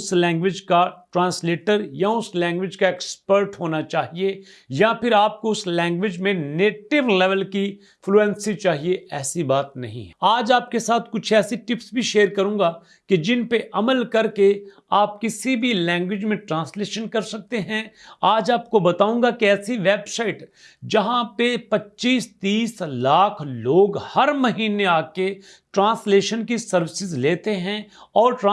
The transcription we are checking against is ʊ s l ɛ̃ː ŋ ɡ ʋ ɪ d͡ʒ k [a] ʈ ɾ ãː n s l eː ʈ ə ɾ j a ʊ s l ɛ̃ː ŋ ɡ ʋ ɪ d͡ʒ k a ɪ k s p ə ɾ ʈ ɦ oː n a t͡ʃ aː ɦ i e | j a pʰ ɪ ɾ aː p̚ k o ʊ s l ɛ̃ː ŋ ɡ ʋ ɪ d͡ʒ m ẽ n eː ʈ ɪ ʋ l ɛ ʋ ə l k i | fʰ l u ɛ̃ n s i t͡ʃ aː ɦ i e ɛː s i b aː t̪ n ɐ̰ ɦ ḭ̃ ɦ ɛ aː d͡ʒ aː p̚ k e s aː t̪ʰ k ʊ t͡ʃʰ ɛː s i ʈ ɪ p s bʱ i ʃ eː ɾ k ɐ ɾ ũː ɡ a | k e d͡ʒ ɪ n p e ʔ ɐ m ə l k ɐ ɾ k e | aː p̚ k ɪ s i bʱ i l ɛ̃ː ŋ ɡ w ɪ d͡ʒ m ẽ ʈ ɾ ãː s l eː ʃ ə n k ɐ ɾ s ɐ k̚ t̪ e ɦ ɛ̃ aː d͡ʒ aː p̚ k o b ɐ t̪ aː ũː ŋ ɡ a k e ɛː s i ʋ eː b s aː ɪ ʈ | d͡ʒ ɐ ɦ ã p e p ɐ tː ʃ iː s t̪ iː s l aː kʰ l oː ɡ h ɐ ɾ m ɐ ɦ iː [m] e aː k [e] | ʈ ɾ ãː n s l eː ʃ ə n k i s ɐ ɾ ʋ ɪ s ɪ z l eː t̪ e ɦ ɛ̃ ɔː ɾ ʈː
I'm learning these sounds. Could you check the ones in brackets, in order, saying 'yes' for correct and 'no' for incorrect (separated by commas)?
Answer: yes, no, yes